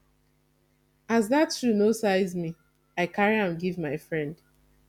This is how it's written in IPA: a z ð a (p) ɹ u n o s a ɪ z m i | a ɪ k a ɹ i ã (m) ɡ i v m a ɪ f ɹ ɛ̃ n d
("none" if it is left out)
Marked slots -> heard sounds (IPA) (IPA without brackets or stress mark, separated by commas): t, m